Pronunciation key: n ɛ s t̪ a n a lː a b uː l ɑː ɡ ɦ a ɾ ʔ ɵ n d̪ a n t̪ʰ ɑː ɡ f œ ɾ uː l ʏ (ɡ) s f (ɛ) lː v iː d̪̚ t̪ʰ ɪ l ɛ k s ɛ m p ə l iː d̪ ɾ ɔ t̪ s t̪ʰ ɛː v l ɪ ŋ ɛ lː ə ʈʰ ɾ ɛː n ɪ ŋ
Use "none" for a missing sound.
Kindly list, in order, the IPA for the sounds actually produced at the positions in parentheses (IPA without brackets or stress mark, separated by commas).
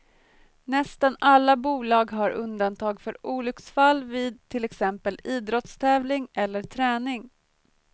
k, a